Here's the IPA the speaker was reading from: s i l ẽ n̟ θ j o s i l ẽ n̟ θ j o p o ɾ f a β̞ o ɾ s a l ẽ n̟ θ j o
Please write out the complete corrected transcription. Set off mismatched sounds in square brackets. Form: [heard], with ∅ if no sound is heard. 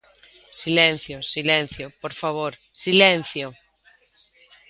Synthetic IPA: s i l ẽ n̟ θ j o s i l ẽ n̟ θ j o p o ɾ f a β̞ o ɾ s [i] l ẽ n̟ θ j o